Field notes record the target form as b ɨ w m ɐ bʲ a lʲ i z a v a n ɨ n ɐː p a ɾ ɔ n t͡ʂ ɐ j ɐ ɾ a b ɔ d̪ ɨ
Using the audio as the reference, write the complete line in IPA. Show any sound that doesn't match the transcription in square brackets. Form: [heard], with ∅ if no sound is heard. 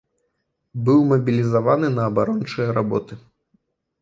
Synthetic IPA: b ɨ w m ɐ bʲ [i] lʲ i z a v a n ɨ n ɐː [b] a ɾ ɔ n t͡ʂ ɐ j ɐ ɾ a b ɔ [t̪] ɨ